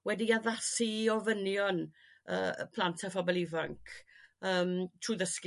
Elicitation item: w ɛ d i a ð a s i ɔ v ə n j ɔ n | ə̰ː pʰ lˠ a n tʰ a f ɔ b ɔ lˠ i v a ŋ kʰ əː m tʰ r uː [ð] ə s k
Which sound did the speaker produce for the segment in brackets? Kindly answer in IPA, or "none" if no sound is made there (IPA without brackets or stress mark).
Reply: ð